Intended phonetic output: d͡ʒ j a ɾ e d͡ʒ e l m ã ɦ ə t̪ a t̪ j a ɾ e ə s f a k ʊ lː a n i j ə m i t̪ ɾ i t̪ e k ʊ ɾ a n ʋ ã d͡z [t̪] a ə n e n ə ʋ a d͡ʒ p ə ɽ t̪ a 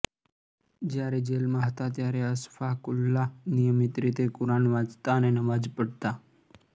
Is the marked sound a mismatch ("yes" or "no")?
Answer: no